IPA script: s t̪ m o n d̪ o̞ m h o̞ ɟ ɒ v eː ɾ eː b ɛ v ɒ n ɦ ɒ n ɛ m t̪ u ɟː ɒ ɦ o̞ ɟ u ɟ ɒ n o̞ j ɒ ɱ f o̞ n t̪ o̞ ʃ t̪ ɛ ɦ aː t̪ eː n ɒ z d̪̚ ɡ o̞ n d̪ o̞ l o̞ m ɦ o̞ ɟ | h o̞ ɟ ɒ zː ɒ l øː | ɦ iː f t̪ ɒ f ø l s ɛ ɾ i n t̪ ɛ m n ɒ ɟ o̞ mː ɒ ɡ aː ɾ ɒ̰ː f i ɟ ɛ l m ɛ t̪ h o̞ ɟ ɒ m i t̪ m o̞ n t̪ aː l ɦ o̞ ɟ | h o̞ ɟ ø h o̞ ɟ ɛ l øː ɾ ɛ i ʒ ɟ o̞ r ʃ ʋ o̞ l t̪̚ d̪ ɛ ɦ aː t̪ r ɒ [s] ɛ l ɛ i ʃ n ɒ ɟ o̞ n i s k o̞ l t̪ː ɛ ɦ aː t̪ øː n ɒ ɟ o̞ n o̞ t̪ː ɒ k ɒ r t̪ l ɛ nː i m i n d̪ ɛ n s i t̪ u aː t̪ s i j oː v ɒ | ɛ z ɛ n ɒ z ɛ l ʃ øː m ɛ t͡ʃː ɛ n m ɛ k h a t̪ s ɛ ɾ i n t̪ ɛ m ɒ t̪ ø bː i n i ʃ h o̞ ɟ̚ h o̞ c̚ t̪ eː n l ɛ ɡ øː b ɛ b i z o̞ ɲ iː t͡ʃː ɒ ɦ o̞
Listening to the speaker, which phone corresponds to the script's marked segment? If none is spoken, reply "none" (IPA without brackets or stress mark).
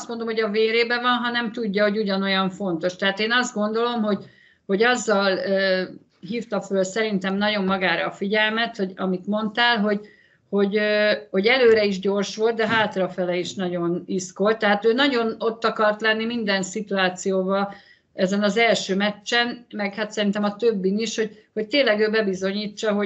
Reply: f